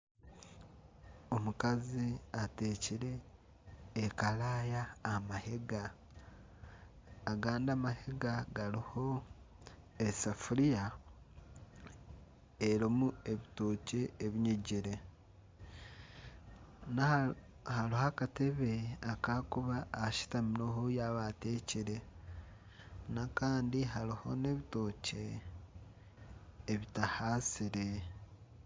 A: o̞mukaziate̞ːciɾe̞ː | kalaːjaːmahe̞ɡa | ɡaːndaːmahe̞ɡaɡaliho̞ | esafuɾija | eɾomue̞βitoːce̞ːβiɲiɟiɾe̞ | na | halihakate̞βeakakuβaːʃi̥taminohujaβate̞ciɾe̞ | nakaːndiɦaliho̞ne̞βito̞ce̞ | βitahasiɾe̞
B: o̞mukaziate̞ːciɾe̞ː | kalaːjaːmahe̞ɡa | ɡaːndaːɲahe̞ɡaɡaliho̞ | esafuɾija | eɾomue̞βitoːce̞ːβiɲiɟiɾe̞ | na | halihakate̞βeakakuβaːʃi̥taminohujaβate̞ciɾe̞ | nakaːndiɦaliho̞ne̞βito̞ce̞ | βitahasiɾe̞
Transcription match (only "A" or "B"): A